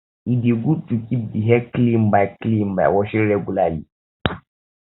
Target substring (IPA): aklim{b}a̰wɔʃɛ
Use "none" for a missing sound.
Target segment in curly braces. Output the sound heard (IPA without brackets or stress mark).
b